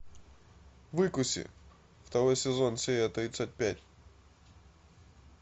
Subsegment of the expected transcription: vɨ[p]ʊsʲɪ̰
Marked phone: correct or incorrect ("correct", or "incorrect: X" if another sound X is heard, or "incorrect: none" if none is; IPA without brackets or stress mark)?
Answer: incorrect: k